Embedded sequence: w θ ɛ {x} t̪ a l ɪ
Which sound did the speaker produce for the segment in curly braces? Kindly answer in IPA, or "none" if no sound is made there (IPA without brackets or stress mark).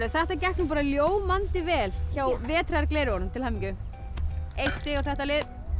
h